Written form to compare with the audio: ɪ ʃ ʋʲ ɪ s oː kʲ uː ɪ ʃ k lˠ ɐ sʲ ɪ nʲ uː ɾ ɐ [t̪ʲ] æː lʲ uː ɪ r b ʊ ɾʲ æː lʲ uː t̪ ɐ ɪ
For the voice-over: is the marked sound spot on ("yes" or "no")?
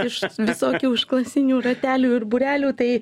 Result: yes